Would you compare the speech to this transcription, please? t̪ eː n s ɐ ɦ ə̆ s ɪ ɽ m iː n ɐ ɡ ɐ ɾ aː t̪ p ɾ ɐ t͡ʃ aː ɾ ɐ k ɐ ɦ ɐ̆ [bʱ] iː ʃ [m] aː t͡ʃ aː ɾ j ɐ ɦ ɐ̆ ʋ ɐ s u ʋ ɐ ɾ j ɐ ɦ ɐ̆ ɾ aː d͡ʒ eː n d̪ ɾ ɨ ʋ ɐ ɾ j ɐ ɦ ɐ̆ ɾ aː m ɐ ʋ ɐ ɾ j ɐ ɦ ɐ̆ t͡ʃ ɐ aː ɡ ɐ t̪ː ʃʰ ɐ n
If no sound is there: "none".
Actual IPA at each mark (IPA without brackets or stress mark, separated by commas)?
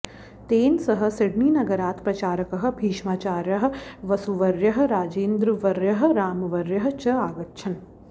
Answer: bʱ, m